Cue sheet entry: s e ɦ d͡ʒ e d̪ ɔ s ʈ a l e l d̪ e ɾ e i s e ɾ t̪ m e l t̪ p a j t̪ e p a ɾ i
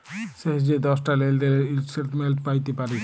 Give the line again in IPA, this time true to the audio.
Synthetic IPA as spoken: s e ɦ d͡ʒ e d̪ ɔ s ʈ a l e l d̪ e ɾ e i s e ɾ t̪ m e l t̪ p a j t̪ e p a ɾ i